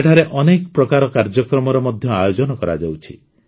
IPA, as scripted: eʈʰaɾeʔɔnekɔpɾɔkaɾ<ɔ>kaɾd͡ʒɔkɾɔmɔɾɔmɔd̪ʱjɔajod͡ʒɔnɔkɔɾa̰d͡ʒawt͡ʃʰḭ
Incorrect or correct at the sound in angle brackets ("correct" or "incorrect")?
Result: correct